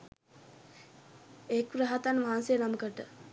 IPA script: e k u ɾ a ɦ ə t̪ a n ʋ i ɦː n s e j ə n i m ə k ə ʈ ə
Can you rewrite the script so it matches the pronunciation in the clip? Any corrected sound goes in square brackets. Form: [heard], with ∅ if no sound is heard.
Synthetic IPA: e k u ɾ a ɦ [a] t̪ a n ʋ [a] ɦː n s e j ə n [a] m ə k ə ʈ ə